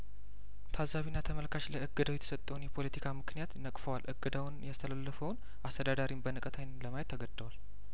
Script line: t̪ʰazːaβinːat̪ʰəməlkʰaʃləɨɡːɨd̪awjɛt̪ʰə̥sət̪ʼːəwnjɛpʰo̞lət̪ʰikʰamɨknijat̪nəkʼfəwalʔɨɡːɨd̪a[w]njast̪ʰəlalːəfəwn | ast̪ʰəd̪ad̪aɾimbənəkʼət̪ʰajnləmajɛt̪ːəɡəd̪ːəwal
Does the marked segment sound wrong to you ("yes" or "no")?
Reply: no